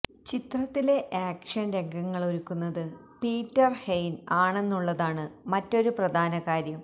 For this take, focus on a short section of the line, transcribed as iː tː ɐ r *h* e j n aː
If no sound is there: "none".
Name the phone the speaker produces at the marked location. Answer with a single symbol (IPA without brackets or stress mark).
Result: h